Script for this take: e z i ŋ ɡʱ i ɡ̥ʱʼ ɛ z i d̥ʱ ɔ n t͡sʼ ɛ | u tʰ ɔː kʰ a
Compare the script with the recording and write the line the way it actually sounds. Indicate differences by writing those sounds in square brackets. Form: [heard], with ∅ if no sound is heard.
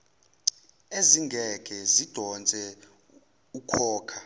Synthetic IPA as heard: e z i ŋ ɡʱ [ɛ] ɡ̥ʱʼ ɛ z i d̥ʱ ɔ n t͡sʼ ɛ | u [kʰ] ɔː kʰ a